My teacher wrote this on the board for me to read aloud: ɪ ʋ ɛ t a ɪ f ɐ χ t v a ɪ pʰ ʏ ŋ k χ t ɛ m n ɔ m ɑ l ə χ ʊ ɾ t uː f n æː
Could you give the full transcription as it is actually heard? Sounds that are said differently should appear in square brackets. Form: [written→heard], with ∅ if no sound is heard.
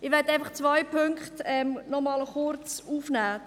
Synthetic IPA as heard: ɪ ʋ ɛ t a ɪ f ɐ χ [t→t͡s] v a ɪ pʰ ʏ ŋ k χ t ɛ m n ɔ m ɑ l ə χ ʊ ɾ [t→t͡s] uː f n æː